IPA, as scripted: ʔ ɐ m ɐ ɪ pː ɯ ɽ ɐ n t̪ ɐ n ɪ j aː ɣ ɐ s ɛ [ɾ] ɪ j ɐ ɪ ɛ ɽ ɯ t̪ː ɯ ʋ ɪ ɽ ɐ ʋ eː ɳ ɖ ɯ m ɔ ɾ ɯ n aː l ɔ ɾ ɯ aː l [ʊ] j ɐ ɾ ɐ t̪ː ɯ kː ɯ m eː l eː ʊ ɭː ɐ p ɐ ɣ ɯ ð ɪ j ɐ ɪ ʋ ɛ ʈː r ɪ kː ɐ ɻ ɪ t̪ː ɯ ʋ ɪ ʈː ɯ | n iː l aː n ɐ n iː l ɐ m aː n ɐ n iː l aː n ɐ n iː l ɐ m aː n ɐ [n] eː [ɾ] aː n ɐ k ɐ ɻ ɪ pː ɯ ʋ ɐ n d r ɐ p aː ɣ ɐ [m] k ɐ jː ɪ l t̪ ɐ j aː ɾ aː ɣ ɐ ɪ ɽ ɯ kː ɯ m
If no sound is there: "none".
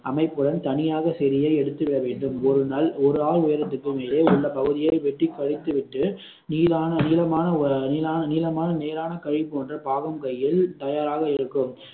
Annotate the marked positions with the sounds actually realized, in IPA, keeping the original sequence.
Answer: ɾ, ʊ, n, ɾ, m

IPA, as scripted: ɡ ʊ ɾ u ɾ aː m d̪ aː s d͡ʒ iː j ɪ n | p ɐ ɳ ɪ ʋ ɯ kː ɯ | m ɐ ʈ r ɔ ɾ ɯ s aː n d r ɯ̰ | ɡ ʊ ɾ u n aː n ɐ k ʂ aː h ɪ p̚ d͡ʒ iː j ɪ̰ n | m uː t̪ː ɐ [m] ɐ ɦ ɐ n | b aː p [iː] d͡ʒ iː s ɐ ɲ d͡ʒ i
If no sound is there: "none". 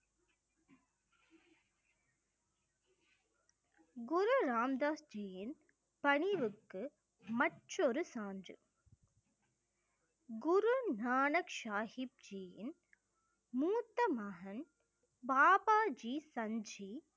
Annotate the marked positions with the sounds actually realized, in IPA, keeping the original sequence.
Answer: m, aː

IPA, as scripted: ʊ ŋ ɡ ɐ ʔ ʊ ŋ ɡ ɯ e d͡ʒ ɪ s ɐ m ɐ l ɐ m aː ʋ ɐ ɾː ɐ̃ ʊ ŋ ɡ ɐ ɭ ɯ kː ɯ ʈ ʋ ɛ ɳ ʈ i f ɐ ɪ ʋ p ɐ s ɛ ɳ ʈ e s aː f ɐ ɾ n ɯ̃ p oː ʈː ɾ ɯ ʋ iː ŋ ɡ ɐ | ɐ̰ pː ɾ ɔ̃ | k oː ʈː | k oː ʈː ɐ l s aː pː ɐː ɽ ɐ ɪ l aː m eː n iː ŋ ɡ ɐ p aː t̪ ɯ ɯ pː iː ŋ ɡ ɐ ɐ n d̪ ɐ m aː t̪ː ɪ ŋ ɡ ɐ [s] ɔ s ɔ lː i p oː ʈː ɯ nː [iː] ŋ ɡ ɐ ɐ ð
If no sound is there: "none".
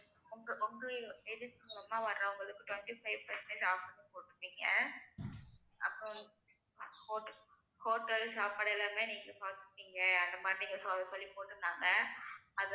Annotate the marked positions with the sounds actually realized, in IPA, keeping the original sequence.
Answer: s, aː

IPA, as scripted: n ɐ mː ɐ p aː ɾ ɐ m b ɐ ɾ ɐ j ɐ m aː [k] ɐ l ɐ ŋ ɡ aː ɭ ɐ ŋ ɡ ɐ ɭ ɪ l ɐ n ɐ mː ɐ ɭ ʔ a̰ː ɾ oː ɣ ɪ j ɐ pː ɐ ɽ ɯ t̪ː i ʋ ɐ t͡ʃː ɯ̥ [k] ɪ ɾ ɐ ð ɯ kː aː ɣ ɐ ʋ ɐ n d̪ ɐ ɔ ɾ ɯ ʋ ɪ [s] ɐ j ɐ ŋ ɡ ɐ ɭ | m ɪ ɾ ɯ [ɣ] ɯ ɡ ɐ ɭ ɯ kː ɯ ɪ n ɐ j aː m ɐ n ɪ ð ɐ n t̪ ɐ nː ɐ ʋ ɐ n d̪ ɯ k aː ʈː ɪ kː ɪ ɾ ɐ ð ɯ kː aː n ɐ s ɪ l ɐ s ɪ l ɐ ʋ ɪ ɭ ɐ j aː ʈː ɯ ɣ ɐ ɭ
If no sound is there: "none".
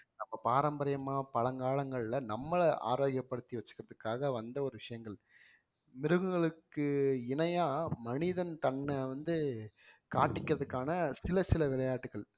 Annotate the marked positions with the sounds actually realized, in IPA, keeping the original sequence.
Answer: p, k, ʂ, ɣ

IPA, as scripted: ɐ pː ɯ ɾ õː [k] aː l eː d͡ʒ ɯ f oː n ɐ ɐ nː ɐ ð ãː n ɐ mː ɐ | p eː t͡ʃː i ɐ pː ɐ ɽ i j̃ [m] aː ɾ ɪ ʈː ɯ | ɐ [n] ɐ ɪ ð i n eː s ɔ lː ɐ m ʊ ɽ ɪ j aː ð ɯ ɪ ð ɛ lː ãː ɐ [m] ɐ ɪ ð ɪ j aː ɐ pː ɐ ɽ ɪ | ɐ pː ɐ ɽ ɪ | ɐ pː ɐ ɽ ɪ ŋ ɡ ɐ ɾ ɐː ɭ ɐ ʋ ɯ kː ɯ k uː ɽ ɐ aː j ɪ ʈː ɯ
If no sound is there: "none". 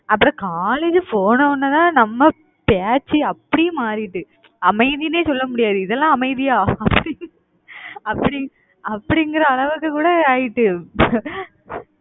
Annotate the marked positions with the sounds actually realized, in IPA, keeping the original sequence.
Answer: k, m, m, m

